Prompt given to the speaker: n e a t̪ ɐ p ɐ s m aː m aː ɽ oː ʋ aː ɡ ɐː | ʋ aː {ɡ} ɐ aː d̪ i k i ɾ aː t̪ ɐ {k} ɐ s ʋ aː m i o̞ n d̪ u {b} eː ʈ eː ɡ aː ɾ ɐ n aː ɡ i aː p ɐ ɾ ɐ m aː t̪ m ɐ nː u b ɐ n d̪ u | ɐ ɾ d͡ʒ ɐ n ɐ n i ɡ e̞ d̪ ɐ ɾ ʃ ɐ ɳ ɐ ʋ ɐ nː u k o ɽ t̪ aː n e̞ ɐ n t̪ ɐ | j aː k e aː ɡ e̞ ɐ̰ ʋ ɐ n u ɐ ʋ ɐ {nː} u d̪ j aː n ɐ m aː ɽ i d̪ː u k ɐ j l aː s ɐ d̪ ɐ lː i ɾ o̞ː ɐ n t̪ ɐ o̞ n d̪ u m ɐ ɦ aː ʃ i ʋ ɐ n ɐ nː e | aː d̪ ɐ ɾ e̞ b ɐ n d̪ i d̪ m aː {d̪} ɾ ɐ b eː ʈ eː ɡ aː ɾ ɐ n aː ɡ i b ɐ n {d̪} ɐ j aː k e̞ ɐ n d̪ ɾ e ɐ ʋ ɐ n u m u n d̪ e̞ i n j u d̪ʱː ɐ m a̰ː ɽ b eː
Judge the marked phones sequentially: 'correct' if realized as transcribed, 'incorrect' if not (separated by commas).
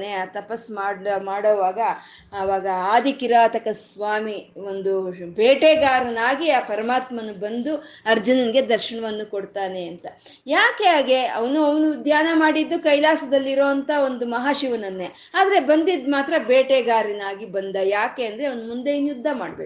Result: correct, correct, correct, incorrect, incorrect, correct